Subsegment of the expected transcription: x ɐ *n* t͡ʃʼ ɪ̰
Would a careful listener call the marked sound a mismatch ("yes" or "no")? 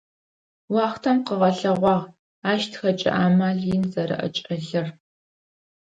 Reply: yes